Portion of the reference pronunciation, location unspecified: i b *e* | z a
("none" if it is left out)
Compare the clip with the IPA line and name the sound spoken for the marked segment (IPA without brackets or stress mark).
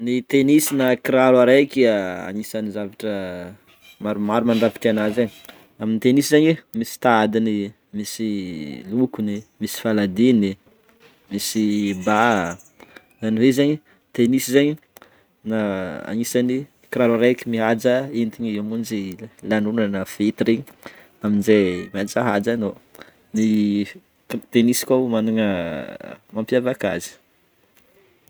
a